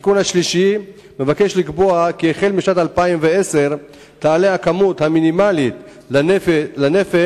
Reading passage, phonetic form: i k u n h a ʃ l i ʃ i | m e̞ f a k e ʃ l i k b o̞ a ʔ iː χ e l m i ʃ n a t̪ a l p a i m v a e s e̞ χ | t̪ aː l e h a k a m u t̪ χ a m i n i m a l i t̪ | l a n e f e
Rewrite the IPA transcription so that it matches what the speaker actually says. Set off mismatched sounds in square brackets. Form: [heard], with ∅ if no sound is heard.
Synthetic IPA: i k u n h a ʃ l i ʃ i | m e̞ [v] a k e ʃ l i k b o̞ a [k] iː χ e l m i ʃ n a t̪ a l p a i m v [e] e s e̞ [ʁ] | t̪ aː l e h a k a m u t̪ [h] a m i n i m a l i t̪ | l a n e f e